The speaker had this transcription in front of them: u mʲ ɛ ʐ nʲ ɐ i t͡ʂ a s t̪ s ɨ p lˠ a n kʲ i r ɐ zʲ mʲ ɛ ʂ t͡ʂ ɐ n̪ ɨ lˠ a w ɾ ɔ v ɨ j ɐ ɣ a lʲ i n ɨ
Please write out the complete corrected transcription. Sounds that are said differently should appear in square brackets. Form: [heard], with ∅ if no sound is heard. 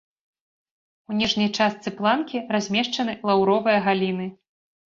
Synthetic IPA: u [nʲ] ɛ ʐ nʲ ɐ [j] t͡ʂ a s t̪ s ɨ p lˠ a n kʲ i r [a] zʲ mʲ ɛ ʂ t͡ʂ ɐ n̪ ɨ lˠ a w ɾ ɔ v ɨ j ɐ ɣ a lʲ i n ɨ